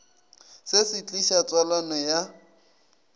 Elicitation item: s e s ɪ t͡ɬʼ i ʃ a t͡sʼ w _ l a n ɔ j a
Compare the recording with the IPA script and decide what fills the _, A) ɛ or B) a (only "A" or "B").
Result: B